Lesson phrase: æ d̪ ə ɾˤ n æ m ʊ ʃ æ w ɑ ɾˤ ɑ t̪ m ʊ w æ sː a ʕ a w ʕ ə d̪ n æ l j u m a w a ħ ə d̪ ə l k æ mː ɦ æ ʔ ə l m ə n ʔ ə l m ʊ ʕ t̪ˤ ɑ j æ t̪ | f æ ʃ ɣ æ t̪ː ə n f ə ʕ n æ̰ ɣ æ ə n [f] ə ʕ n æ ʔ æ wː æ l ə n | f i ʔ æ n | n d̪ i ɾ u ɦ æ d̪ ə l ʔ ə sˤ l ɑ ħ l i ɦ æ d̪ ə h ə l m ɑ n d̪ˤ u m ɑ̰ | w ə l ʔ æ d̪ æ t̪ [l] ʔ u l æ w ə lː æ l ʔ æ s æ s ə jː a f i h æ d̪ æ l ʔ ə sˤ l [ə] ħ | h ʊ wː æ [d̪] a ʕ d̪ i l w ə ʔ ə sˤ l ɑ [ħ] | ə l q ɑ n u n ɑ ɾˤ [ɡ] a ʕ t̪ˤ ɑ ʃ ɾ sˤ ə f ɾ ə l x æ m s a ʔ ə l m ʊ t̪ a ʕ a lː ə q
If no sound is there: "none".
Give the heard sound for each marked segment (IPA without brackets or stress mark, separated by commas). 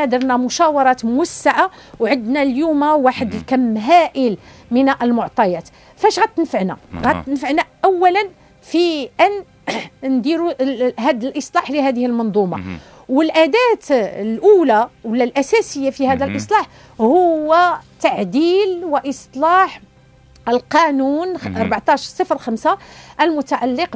f, l, ɑ, t̪, ħ, b